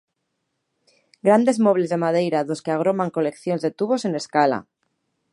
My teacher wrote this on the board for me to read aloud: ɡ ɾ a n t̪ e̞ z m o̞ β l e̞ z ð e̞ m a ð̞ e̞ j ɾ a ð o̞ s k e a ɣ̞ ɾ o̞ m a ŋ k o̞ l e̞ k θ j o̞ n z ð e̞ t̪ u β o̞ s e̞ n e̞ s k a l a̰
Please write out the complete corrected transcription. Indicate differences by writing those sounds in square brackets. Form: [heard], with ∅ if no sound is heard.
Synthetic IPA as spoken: ɡ ɾ a n [d̪] e̞ z m o̞ β l e̞ z ð e̞ m a ð̞ e̞ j ɾ a ð o̞ s k e a ɣ̞ ɾ o̞ m a ŋ k o̞ l e̞ k θ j o̞ n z ð e̞ t̪ u β o̞ s e̞ n e̞ s k a l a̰

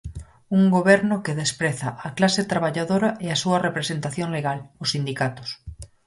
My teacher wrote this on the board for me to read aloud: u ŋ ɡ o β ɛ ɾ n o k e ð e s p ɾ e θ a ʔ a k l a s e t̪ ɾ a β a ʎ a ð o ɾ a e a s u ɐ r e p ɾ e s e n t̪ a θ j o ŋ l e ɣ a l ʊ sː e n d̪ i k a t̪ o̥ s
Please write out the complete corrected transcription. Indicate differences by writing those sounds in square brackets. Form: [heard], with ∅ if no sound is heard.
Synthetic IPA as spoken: u ŋ ɡ o β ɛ ɾ n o k e ð e s p ɾ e θ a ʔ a k l a s e t̪ ɾ a β a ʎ a ð o ɾ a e a s u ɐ r e p ɾ e s e n t̪ a θ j o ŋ l e ɣ a l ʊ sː [i] n d̪ i k a t̪ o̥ s

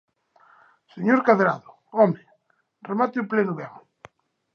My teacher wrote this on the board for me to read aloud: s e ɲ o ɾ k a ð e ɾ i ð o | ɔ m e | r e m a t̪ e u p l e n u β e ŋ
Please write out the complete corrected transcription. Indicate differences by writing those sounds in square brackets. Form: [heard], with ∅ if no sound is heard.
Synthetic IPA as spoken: s e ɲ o ɾ k a ð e ɾ [a] ð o | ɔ m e | r e m a t̪ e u p l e n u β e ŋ

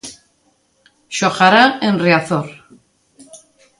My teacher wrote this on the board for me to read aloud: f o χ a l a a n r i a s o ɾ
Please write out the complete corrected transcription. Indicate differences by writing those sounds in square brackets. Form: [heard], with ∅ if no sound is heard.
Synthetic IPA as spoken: [ʃ] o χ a [ɾ] a [e] n r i a [θ] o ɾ

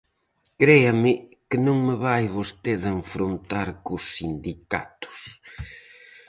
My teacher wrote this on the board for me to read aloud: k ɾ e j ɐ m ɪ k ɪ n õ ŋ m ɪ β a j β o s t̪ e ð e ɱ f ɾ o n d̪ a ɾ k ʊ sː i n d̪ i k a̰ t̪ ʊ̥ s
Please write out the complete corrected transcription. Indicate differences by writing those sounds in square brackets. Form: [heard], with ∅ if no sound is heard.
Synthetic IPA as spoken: k ɾ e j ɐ m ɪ k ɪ n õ ŋ m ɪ β a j β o s t̪ e ð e ɱ f ɾ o n [t̪] a ɾ k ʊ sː i n d̪ i k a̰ t̪ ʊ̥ s

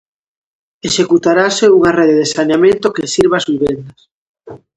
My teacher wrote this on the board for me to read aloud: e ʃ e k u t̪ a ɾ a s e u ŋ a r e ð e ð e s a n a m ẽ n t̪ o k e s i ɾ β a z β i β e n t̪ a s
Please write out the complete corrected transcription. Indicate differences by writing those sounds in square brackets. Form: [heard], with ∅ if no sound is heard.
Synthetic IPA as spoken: e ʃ e k u t̪ a ɾ a s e u ŋ a r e ð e ð e s a n a m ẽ n t̪ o k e s i ɾ β a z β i β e n [d̪] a s

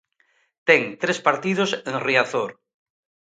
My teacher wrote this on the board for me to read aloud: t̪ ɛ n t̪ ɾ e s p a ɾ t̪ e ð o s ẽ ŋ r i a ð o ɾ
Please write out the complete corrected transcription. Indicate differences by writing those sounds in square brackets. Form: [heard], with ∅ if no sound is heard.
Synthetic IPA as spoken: t̪ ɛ [ŋ] t̪ ɾ e s p a ɾ t̪ [i] ð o s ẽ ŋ r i a [θ] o ɾ

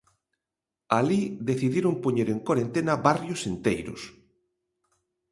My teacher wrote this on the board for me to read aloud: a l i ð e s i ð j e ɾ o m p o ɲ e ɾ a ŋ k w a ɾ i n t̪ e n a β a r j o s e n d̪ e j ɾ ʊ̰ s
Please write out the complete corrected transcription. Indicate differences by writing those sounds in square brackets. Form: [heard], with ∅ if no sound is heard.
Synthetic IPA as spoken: a l i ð e [θ] i ð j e ɾ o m p o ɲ e ɾ [e] ŋ k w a ɾ [e] n t̪ e n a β a r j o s e n [t̪] e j ɾ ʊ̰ s

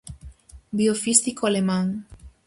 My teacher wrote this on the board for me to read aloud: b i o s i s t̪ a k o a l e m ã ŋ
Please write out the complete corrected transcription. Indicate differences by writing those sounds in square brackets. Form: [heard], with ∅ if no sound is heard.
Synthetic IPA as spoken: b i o [f] i s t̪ [i] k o a l e m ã ŋ

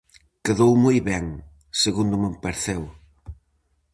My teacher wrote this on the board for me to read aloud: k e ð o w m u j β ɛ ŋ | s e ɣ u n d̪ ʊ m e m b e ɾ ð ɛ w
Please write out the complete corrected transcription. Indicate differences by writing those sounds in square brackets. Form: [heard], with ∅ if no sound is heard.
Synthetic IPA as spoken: k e ð o w m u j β ɛ ŋ | s e ɣ u n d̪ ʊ m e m [p] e ɾ [θ] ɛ w

